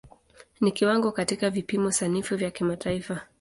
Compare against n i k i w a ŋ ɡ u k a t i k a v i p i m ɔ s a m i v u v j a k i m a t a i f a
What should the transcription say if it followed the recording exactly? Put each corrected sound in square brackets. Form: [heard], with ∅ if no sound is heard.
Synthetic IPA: n i k i w a ŋ ɡ [ɔ] k a t i k a v i p i m ɔ s a [n] i [f] u v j a k i m a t a i f a